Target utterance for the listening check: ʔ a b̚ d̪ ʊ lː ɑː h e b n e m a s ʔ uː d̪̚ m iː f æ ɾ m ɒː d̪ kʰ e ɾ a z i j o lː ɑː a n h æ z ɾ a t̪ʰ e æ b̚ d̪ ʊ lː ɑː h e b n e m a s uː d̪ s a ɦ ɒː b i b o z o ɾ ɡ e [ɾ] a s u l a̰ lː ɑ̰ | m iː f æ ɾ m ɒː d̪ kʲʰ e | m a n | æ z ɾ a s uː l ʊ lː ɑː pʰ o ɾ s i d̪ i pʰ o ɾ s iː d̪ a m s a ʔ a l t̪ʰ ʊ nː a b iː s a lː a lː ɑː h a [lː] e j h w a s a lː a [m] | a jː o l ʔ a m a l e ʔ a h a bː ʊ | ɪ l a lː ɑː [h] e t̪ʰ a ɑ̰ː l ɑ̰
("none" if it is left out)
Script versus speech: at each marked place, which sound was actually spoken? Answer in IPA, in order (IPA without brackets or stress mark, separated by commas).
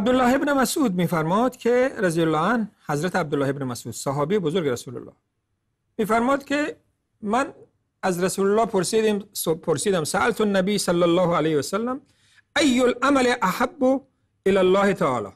ɾ, l, m, h